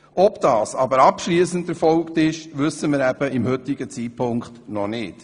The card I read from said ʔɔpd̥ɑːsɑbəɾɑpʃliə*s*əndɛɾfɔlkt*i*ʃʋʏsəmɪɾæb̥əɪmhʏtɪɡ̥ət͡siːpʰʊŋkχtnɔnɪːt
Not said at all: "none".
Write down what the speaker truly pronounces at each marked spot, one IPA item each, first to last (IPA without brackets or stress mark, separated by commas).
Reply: s, ɪ